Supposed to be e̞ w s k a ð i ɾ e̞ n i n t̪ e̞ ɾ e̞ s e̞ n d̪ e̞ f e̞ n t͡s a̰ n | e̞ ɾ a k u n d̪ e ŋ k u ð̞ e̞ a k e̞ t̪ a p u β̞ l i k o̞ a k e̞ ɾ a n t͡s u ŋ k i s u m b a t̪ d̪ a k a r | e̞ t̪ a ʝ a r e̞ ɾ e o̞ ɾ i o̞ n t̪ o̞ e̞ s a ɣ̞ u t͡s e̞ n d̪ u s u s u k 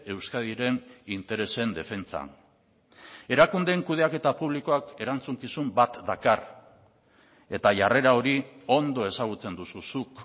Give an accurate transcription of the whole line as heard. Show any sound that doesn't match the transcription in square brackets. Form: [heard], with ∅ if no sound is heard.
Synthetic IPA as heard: e̞ w s k a ð i ɾ e̞ n i n t̪ e̞ ɾ e̞ s e̞ n d̪ e̞ f e̞ n t͡s a̰ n | e̞ ɾ a k u n d̪ e ŋ k u ð̞ e̞ a k e̞ t̪ a p u β̞ l i k o̞ a k e̞ ɾ a n t͡s u ŋ k i s u m b a t̪ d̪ a k a r | e̞ t̪ a ʝ a r e̞ ɾ [a] o̞ ɾ i o̞ n [d̪] o̞ e̞ s a ɣ̞ u t͡s e̞ n d̪ u s u s u k